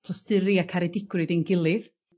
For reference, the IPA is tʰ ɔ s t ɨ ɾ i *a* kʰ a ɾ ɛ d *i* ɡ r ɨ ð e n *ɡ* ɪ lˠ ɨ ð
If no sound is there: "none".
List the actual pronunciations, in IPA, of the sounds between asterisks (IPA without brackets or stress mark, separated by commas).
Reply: a, ɪ, ɡ